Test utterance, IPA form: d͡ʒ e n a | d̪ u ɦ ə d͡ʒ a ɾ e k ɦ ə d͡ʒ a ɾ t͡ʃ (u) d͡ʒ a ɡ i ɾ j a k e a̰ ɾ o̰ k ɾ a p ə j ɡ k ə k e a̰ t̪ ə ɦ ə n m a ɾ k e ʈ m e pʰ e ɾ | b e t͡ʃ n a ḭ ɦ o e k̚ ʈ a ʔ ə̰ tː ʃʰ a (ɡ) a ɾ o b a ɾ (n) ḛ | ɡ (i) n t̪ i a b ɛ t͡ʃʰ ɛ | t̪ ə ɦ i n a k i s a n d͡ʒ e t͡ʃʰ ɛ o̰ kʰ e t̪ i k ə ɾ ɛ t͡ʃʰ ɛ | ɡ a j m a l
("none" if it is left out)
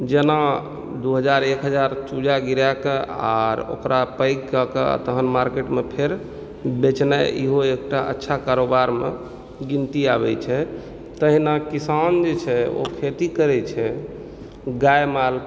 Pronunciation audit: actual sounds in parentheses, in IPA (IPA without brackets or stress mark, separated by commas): u, k, m, i